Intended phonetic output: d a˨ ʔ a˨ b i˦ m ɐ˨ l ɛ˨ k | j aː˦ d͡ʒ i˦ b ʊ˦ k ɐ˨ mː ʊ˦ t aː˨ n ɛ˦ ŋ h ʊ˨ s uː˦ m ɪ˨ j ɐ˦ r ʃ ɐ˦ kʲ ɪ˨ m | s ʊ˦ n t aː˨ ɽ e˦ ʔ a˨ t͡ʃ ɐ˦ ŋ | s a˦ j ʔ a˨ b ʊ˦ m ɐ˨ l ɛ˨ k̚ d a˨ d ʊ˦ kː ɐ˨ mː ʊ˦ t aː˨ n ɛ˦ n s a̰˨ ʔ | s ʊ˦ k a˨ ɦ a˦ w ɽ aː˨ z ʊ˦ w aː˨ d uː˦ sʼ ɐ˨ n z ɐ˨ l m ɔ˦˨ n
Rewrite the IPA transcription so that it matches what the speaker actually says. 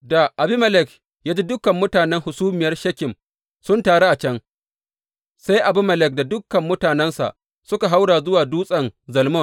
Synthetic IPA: d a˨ ʔ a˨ b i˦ m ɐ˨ l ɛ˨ k | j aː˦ d͡ʒ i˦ d ʊ˦ k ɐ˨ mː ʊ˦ t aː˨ n ɛ˦ ŋ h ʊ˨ s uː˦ m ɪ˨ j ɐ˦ r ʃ ɐ˦ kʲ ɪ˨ m | s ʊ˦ n t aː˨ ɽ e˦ ʔ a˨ t͡ʃ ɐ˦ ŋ | s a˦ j ʔ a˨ b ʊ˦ m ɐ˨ l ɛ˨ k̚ d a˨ d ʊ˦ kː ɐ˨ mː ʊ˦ t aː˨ n ɛ˦ n s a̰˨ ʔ | s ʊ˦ k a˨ ɦ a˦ w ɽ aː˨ z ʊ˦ w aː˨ d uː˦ sʼ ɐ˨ n z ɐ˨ l m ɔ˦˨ n